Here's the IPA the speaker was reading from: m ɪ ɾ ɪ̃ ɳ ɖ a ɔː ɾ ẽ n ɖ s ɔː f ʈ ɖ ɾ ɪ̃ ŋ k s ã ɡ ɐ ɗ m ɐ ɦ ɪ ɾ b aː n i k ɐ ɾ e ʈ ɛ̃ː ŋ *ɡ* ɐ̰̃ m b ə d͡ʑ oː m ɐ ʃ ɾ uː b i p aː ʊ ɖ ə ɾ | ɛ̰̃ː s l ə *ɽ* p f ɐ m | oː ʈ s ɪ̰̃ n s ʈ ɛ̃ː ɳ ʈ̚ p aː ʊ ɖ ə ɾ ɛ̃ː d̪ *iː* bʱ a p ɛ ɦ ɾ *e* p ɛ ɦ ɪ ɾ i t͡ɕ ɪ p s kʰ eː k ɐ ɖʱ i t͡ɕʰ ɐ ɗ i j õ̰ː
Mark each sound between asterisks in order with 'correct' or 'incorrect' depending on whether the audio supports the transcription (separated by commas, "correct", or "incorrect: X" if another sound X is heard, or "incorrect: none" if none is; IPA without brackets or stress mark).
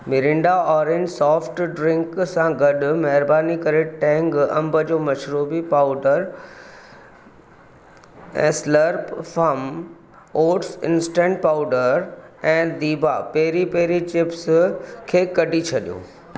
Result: correct, incorrect: ɾ, correct, incorrect: i